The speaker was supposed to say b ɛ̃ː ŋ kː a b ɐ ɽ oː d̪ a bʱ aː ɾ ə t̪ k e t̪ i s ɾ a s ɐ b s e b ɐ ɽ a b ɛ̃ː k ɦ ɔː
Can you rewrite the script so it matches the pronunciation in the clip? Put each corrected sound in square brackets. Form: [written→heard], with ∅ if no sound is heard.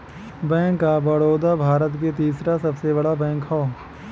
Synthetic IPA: b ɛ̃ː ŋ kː a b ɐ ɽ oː d̪ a bʱ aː ɾ ə t̪ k e t̪ [i→iː] s ɾ a s ɐ b s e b ɐ ɽ a b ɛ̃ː k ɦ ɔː